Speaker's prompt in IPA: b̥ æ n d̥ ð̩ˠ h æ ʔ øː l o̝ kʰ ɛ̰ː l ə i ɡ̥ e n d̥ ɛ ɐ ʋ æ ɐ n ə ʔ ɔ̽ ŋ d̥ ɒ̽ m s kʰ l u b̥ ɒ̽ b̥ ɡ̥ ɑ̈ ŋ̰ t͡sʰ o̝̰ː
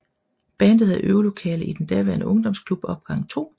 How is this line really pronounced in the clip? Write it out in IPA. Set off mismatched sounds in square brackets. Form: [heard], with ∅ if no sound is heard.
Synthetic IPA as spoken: b̥ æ n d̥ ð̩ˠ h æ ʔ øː l o̝ kʰ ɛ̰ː l ə i [d̥] e n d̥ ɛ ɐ ʋ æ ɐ n ə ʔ ɔ̽ ŋ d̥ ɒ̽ m s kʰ l u b̥ ɒ̽ b̥ ɡ̥ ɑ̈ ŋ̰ t͡sʰ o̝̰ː